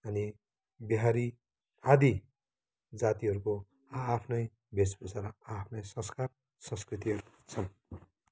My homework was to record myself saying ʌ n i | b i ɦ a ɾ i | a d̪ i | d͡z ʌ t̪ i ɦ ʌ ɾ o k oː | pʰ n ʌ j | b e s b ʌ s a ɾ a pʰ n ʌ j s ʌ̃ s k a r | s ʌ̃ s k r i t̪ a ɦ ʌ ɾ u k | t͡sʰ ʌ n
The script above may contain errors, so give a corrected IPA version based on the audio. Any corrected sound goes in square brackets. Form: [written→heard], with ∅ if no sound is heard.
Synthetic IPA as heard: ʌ n i | b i ɦ a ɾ i | a d̪ i | d͡z [ʌ→a] t̪ i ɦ ʌ ɾ [o→u] k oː | pʰ n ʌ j | b e s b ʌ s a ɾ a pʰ n ʌ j s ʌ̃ s k a r | s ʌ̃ s k r i t̪ [a→i] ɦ ʌ ɾ u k | t͡sʰ ʌ n

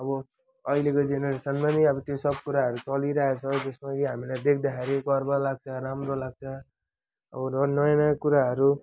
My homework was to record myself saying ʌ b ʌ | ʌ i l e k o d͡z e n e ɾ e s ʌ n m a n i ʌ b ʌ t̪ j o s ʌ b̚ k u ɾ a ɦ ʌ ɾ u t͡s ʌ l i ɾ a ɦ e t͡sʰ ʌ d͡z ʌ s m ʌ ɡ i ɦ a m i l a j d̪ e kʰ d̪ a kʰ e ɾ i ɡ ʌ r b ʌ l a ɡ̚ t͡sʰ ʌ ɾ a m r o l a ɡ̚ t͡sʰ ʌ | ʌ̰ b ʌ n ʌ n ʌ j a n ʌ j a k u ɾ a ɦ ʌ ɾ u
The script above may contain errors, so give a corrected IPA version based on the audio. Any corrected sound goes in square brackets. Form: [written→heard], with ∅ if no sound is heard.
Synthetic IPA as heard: ʌ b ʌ | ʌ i l e k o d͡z e n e ɾ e s ʌ n m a n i ʌ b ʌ t̪ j o s ʌ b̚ k u ɾ a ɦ ʌ ɾ u t͡s ʌ l i ɾ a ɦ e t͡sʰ ʌ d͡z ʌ s m [ʌ→a] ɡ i ɦ a m i l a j d̪ e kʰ d̪ a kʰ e ɾ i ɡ ʌ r b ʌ l a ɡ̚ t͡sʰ ʌ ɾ a m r o l a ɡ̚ t͡sʰ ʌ | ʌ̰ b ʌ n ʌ n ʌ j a n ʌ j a k u ɾ a ɦ ʌ ɾ u

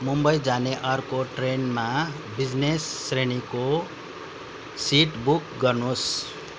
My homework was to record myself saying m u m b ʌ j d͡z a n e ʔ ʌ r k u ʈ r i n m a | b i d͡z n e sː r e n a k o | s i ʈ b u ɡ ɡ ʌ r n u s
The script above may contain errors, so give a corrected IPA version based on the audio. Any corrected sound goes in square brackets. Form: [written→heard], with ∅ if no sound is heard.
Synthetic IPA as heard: m u m b ʌ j d͡z a n e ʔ ʌ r k [u→o] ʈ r [i→e] n m a | b i d͡z n e sː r e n [a→i] k o | s i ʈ b u [ɡ→k] ɡ ʌ r n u s

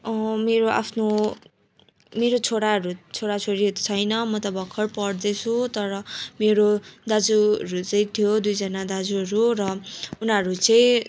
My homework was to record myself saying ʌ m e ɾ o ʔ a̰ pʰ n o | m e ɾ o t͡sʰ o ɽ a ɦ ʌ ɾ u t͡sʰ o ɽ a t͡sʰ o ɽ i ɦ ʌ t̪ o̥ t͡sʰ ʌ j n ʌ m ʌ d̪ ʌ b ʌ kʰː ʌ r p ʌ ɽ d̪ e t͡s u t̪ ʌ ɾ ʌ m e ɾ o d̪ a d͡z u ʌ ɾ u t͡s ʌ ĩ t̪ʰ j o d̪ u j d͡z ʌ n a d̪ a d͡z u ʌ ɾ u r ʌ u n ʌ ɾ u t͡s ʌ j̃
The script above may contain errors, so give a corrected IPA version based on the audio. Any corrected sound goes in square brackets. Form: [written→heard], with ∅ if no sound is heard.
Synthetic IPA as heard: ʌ m e ɾ o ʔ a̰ pʰ n o | m e ɾ o t͡sʰ o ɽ a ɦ ʌ ɾ u t͡sʰ o ɽ a t͡sʰ o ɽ i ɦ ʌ t̪ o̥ t͡sʰ ʌ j n ʌ m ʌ [d̪→t̪] ʌ b ʌ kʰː ʌ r p ʌ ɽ d̪ e [t͡s→t͡sʰ] u t̪ ʌ ɾ ʌ m e ɾ o d̪ a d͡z u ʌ ɾ u t͡s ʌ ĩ t̪ʰ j o d̪ u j d͡z ʌ n a d̪ a d͡z u ʌ ɾ u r ʌ u n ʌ ɾ u t͡s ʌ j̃

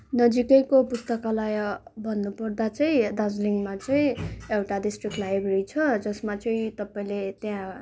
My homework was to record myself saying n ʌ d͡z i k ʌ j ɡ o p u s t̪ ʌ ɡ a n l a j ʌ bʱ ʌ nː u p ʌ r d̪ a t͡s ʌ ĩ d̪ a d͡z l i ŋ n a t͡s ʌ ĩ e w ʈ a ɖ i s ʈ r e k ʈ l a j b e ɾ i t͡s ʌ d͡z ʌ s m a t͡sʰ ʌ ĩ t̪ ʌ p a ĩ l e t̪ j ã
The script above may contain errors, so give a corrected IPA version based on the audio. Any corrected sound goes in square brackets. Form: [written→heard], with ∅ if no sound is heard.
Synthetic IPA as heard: n ʌ d͡z i k ʌ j [ɡ→k] o p u s t̪ ʌ [ɡ→k] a [n→∅] l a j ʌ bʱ ʌ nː u p ʌ r d̪ a t͡s ʌ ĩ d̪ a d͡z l i ŋ [n→m] a t͡s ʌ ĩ e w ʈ a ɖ i s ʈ r [e→i] k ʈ l a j b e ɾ i [t͡s→t͡sʰ] ʌ d͡z ʌ s m a [t͡sʰ→t͡s] ʌ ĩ t̪ ʌ p a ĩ l e t̪ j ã

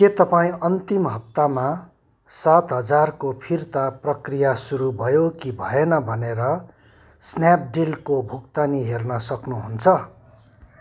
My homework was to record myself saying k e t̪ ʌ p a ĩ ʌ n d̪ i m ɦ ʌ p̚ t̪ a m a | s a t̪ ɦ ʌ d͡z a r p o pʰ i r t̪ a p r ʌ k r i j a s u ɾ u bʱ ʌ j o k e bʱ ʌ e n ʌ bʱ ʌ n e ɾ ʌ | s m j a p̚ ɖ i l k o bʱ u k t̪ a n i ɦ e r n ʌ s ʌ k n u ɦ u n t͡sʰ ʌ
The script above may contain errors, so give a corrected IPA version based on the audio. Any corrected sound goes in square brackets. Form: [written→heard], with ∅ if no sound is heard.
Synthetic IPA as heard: k e t̪ ʌ p a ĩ ʌ n [d̪→t̪] i m ɦ ʌ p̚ t̪ a m a | s a t̪ ɦ ʌ d͡z a r [p→k] o pʰ i r t̪ a p r ʌ k r i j a s u ɾ u bʱ ʌ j o k [e→i] bʱ ʌ e n ʌ bʱ ʌ n e ɾ ʌ | s [m→n] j a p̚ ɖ i l k o bʱ u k t̪ a n i ɦ e r n ʌ s ʌ k n u ɦ u n t͡sʰ ʌ

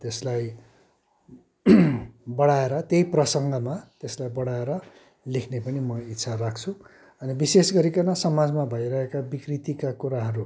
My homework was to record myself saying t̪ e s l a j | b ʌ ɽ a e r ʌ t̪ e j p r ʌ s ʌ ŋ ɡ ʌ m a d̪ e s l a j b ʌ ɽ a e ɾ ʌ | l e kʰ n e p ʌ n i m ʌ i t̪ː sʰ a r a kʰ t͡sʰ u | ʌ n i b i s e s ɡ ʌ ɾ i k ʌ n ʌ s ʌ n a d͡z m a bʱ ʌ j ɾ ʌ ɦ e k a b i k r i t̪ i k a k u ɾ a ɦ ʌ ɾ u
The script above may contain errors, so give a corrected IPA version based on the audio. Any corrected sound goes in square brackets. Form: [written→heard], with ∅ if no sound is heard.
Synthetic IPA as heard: t̪ e s l a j | b ʌ ɽ a e [r→ɾ] ʌ t̪ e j p r ʌ s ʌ ŋ ɡ ʌ m a [d̪→t̪] e s l a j b ʌ ɽ a e ɾ ʌ | l e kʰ n e p ʌ n i m ʌ i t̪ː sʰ a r a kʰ t͡sʰ u | ʌ n i b i s e s ɡ ʌ ɾ i k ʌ n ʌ s ʌ [n→m] a d͡z m a bʱ ʌ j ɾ ʌ ɦ e k a b i k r i t̪ i k a k u ɾ a ɦ ʌ ɾ u

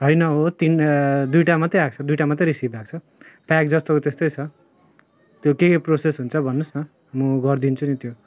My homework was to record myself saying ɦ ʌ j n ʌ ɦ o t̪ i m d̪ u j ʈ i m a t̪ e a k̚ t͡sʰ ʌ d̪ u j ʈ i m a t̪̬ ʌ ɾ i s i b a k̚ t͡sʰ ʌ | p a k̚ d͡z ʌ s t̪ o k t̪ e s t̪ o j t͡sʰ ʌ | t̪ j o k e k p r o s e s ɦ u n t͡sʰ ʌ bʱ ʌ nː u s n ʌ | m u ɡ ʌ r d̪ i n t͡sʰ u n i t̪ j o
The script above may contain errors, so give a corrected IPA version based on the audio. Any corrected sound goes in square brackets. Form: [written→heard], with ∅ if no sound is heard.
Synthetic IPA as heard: ɦ ʌ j n ʌ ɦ o t̪ i [m→n] d̪ u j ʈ [i→a] m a t̪ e a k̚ t͡sʰ ʌ d̪ u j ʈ [i→a] m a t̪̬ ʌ ɾ i s i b a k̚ t͡sʰ ʌ | p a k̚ d͡z ʌ s t̪ o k t̪ e s t̪ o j t͡sʰ ʌ | t̪ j o k e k p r o s e s ɦ u n t͡sʰ ʌ bʱ ʌ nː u s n ʌ | m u ɡ ʌ r d̪ i n t͡sʰ u n i t̪ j o

